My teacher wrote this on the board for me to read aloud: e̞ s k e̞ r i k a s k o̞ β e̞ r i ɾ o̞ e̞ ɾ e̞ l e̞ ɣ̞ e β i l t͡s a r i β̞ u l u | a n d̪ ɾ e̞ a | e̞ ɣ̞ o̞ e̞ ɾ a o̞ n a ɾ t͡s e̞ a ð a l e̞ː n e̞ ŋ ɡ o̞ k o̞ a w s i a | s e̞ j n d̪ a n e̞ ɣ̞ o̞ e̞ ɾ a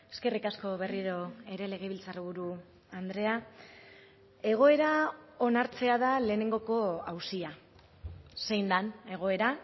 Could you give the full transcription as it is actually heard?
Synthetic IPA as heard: e̞ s k e̞ r i k a s k o̞ β e̞ r i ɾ o̞ e̞ ɾ e̞ l e̞ ɣ̞ e β i l t͡s a r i β̞ u ɾ u | a n d̪ ɾ e̞ a | e̞ ɣ̞ o̞ e̞ ɾ a o̞ n a ɾ t͡s e̞ a ð a l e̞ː n e̞ ŋ ɡ o̞ k o̞ a w s i a | s e̞ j n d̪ a n e̞ ɣ̞ o̞ e̞ ɾ a